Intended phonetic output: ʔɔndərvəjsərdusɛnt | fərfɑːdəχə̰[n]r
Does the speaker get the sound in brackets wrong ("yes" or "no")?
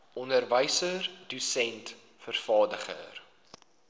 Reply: yes